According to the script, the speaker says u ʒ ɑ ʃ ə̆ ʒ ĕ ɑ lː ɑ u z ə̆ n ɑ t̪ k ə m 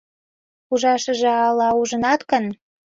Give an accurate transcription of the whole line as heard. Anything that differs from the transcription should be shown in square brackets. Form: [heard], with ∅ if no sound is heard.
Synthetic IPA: u ʒ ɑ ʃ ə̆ ʒ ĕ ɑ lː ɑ u [ʒ] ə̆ n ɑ t̪ k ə [n]